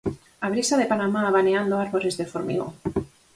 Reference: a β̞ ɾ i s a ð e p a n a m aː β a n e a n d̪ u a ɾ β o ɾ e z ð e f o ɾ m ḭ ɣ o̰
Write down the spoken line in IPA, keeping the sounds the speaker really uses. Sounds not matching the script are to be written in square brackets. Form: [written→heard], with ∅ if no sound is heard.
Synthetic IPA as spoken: a β̞ ɾ i s a ð e p a n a m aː β a n e a n d̪ [u→o] a ɾ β o ɾ e z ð e f o ɾ m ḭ ɣ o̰